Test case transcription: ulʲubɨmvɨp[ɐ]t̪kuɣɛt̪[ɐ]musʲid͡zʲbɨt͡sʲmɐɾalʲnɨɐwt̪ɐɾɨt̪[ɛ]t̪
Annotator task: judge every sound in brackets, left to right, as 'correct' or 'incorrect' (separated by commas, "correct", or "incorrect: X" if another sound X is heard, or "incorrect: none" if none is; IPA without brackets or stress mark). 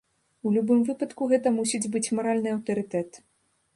correct, correct, correct